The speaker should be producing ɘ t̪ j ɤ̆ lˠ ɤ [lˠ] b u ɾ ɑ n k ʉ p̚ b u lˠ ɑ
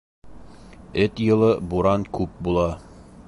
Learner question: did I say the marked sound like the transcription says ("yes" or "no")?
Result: no